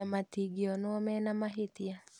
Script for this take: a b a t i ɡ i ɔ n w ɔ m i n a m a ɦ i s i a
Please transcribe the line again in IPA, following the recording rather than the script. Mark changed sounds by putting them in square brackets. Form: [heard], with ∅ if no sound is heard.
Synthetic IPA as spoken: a [m] a t i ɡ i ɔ n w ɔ m [ɛ] n a m a ɦ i [t] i a